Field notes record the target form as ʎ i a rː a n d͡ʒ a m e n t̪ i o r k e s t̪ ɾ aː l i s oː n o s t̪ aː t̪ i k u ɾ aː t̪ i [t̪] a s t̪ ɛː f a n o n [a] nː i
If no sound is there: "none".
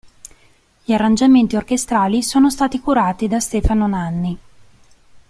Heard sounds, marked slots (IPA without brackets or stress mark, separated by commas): d̪, a